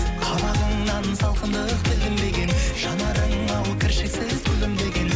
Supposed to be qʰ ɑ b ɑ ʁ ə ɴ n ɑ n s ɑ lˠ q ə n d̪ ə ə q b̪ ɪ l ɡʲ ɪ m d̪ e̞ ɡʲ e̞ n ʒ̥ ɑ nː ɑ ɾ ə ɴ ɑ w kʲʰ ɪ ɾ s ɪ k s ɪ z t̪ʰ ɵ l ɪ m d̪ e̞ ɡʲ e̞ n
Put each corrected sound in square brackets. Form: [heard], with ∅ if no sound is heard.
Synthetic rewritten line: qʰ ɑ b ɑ ʁ ə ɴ n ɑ n s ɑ lˠ q ə n d̪ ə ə q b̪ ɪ l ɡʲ ɪ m d̪ e̞ ɡʲ e̞ n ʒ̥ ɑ [n] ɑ ɾ ə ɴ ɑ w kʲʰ ɪ ɾ [ʃ] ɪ k s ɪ z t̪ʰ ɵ l ɪ m d̪ e̞ ɡʲ e̞ n

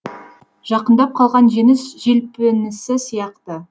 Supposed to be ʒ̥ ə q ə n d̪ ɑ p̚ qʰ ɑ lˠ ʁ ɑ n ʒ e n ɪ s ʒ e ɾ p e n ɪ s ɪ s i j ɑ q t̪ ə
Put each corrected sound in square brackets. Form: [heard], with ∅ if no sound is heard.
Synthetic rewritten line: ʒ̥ [ɑ] q ə n d̪ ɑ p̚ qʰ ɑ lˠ ʁ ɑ n ʒ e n ɪ s ʒ e [l] p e n ɪ s ɪ s i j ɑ q t̪ ə

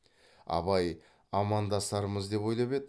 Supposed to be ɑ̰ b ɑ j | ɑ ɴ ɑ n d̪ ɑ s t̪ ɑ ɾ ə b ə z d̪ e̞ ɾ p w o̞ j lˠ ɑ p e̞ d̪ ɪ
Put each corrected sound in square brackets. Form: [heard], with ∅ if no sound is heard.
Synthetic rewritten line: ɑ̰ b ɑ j | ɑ [m] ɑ n d̪ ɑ s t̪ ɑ ɾ ə [m] ə z d̪ e̞ [∅] p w o̞ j lˠ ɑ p e̞ d̪ ɪ

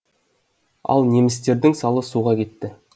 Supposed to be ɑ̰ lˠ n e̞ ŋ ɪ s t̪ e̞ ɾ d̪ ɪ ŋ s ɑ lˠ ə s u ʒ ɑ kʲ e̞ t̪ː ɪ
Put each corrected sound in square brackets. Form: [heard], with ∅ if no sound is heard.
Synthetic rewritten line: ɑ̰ lˠ n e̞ [m] ɪ s t̪ e̞ ɾ d̪ ɪ ŋ s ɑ lˠ ə s u [ʁ] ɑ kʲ e̞ t̪ː ɪ

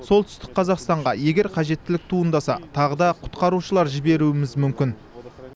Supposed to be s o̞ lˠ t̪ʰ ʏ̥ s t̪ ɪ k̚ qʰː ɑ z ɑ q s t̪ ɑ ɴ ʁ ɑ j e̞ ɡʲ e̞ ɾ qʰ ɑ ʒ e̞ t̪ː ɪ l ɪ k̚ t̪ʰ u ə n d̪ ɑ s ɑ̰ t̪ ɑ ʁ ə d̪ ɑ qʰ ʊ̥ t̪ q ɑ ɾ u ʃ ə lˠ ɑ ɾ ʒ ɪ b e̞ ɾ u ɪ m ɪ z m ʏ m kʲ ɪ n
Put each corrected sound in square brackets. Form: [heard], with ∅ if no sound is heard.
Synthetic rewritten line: s o̞ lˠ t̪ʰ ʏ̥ s t̪ ɪ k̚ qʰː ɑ z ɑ q s t̪ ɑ ɴ ʁ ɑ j e̞ ɡʲ e̞ ɾ qʰ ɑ ʒ e̞ t̪ː ɪ l ɪ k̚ t̪ʰ u ə n d̪ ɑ s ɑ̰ [t̪ʰ] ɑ ʁ ə d̪ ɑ qʰ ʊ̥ t̪ q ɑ ɾ u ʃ ə lˠ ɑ ɾ ʒ ɪ b e̞ ɾ u ɪ m ɪ z m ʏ m kʲ ɪ n

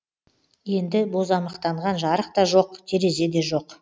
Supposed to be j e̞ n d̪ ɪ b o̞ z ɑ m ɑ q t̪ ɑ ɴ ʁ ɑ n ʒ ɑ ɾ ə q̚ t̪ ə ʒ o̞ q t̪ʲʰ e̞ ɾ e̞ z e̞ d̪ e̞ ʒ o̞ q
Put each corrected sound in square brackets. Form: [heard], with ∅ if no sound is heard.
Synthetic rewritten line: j e̞ n d̪ ɪ b o̞ z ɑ m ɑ q t̪ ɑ ɴ ʁ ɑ n ʒ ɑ ɾ ə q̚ t̪ [ɑ] ʒ o̞ q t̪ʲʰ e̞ ɾ e̞ z e̞ d̪ e̞ ʒ o̞ q

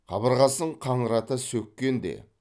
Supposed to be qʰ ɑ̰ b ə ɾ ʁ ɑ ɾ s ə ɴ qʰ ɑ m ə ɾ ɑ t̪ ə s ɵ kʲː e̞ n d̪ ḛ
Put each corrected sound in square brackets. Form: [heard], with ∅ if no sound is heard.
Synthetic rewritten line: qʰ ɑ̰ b ə ɾ ʁ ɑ [∅] s ə ɴ qʰ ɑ [ɴ] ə ɾ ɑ t̪ ə s ɵ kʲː e̞ n d̪ ḛ

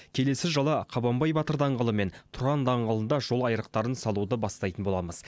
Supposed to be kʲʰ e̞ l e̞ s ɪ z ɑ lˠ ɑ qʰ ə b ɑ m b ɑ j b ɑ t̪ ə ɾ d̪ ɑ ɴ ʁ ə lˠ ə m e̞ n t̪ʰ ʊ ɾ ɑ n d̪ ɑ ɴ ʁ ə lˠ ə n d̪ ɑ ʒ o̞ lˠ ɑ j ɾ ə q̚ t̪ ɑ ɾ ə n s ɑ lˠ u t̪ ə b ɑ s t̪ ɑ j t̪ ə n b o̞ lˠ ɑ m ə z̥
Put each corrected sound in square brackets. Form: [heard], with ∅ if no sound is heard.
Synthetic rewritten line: kʲʰ e̞ l e̞ s ɪ [ʒ] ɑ lˠ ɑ qʰ [ɑ] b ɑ m b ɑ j b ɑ t̪ ə ɾ d̪ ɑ ɴ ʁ ə lˠ ə m e̞ n t̪ʰ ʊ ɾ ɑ n d̪ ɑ ɴ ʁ ə lˠ ə n d̪ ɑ ʒ o̞ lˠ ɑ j ɾ ə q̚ t̪ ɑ ɾ ə n s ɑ lˠ u [d̪] ə b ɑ s t̪ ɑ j t̪ ə n b o̞ lˠ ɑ m ə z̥

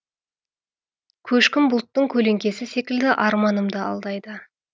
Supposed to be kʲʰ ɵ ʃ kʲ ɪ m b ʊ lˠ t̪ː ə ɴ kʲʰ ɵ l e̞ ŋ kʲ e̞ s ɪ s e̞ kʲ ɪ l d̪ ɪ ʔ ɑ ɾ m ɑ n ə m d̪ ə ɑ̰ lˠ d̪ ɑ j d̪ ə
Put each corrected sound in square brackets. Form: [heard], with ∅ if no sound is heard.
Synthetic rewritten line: kʲʰ ɵ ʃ kʲ ɪ m b ʊ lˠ t̪ː ə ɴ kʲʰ ɵ l e̞ ŋ kʲ e̞ s ɪ s e̞ kʲ ɪ l d̪ ɪ ʔ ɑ ɾ m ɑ n ə m d̪ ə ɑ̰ lˠ d̪ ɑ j d̪ ə

